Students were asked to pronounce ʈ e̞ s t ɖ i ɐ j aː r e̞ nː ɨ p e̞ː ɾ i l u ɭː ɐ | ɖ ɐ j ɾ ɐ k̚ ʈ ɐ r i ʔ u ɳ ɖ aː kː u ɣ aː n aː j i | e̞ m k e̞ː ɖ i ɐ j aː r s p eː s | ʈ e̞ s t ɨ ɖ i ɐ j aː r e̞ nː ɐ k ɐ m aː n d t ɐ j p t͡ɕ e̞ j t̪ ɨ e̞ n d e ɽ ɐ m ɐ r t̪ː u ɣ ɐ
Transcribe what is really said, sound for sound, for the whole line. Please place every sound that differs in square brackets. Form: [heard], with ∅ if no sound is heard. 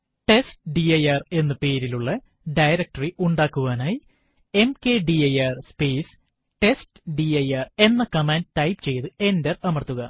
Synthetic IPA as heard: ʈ e̞ s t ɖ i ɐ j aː r e̞ nː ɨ p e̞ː ɾ i l u ɭː ɐ | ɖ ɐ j ɾ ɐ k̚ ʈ ɐ r i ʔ u ɳ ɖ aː kː u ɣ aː n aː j i | e̞ m k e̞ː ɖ i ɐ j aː r s p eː s | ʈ e̞ s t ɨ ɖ i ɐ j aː r e̞ nː ɐ k ɐ m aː n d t ɐ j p t͡ɕ e̞ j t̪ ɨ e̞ n d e [r] ɐ m ɐ r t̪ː u ɣ ɐ